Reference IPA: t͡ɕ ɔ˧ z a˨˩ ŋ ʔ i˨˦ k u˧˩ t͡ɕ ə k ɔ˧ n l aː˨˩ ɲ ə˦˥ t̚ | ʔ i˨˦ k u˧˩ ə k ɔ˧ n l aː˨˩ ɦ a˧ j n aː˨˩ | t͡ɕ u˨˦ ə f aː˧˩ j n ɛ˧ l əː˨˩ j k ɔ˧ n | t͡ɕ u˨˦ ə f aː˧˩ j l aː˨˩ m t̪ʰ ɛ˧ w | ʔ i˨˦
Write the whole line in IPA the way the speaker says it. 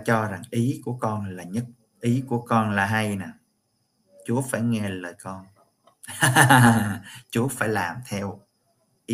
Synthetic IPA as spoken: t͡ɕ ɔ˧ z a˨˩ ŋ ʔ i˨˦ k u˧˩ ə k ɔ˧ n l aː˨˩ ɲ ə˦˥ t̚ | ʔ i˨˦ k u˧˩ ə k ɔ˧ n l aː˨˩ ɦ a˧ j n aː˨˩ | t͡ɕ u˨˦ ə f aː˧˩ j ŋ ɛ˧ l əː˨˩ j k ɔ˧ n | t͡ɕ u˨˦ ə f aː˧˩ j l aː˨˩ m t̪ʰ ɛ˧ w | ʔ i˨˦